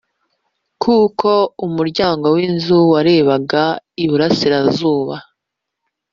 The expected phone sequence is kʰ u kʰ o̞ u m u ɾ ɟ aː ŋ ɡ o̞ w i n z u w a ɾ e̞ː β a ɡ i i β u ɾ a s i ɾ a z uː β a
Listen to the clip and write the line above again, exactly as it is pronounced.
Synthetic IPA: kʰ u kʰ o̞ u m u ɾ ɟ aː ŋ ɡ o̞ w i n z u w a ɾ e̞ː β a ɡ a i β u ɾ a s i ɾ a z uː β a